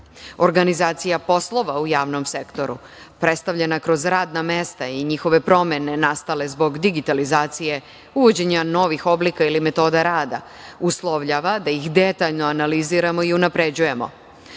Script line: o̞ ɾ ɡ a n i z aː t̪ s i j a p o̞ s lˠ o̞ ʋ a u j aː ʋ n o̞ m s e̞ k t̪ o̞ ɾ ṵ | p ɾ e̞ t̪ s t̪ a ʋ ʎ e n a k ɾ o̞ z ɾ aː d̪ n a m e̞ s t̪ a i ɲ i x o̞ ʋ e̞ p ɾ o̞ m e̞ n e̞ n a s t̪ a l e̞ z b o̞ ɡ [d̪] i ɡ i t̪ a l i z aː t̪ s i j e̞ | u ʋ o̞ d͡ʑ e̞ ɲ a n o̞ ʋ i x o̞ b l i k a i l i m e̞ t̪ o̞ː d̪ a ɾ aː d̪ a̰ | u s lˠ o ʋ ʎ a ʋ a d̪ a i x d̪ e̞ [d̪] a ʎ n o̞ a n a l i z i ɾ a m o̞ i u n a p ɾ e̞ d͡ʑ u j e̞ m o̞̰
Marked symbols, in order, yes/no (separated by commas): yes, no